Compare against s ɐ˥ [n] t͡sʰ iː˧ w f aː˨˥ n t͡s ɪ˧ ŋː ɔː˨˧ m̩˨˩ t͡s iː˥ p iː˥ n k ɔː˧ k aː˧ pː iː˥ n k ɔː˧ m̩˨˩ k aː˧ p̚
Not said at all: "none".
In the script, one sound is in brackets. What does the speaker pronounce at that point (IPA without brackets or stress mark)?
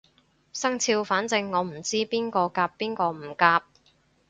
ŋ